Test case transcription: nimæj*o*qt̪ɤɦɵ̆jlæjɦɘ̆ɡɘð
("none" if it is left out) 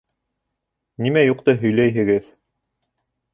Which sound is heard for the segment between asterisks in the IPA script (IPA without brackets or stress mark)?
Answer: u